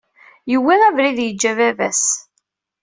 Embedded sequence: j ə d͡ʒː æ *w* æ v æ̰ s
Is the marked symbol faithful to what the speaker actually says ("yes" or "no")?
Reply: no